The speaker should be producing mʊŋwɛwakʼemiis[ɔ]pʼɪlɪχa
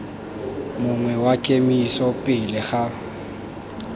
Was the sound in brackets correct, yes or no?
yes